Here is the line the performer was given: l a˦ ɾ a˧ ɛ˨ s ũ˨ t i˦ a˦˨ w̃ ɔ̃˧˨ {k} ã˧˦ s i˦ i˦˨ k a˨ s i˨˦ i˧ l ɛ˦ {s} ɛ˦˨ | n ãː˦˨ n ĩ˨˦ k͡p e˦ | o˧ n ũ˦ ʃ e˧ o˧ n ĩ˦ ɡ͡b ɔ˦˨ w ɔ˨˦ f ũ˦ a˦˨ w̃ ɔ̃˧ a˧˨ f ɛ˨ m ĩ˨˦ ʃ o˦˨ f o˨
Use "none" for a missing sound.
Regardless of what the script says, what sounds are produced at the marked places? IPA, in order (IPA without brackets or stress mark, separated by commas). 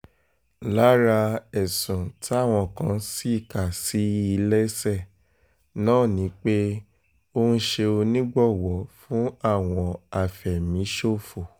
k, s